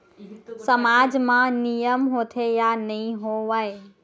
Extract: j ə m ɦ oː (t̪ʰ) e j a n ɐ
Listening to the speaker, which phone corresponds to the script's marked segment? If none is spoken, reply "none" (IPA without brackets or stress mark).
t̪ʰ